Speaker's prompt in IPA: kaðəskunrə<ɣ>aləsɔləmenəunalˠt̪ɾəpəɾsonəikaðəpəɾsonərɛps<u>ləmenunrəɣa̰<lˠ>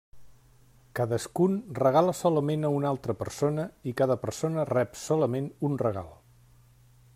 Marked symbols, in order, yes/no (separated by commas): yes, no, yes